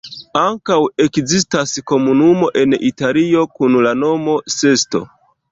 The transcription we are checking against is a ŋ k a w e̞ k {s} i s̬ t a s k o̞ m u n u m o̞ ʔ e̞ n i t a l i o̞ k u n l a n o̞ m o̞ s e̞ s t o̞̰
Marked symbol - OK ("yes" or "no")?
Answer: no